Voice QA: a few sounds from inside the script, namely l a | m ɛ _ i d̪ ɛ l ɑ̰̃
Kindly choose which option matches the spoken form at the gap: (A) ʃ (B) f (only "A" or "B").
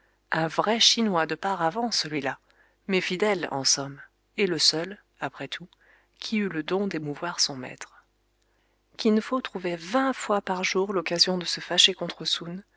B